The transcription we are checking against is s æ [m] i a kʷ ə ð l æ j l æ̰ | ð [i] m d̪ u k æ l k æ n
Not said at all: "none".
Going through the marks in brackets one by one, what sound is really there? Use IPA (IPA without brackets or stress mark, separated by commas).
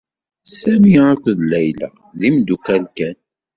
m, i